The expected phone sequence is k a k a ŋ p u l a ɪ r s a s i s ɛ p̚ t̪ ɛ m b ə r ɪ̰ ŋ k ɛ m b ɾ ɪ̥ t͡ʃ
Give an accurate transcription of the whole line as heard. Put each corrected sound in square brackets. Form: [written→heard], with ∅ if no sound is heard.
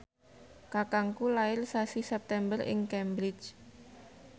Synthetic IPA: k a k a ŋ [p→k] u l a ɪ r s a s i s ɛ p̚ t̪ ɛ m b ə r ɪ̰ ŋ k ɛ m b ɾ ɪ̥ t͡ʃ